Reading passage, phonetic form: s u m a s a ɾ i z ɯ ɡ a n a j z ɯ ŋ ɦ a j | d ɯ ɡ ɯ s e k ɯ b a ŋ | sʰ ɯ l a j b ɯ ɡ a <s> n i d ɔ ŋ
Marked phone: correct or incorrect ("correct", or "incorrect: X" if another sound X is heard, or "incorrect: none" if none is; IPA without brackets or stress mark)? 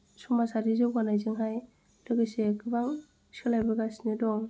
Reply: correct